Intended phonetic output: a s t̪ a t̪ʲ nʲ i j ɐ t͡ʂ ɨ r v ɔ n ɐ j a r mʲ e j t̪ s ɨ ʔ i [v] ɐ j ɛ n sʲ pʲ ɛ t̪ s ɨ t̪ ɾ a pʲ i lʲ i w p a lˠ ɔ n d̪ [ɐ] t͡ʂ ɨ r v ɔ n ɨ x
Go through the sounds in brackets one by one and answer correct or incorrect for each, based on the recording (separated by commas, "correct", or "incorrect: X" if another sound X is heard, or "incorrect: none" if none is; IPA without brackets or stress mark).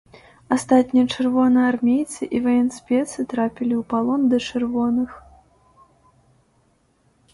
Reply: correct, correct